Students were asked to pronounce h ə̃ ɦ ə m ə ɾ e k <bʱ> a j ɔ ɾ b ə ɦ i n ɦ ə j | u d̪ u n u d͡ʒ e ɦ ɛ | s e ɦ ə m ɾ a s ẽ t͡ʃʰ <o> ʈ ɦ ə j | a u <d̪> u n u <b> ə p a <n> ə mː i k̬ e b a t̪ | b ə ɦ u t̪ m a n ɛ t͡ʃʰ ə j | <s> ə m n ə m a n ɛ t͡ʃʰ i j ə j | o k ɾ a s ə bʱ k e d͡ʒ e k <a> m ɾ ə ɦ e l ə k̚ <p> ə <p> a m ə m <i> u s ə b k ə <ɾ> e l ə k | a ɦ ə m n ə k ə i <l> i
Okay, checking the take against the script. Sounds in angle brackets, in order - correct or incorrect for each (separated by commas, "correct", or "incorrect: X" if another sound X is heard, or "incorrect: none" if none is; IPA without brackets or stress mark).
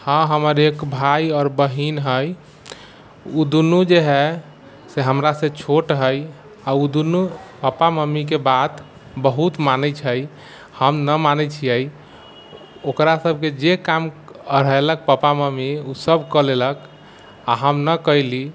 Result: correct, correct, correct, incorrect: p, incorrect: m, incorrect: h, correct, correct, correct, correct, incorrect: l, correct